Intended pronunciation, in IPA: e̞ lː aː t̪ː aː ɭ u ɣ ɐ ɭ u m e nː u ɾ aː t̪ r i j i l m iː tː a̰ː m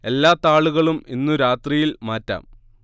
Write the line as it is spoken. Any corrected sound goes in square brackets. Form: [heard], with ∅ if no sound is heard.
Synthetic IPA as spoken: e̞ lː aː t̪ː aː ɭ u ɣ ɐ ɭ u m [i] nː u ɾ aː t̪ r i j i l m [aː] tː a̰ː m